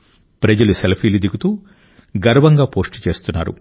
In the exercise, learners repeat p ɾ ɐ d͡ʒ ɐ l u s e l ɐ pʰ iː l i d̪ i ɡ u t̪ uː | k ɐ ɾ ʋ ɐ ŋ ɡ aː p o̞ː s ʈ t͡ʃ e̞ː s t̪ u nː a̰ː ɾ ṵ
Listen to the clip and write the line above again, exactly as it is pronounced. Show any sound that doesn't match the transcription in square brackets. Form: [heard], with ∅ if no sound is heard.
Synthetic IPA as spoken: p ɾ ɐ d͡ʒ ɐ l u s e l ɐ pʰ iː l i d̪ i ɡ u t̪ uː | [ɡ] ɐ ɾ ʋ ɐ ŋ ɡ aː p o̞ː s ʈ t͡ʃ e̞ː s t̪ u nː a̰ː ɾ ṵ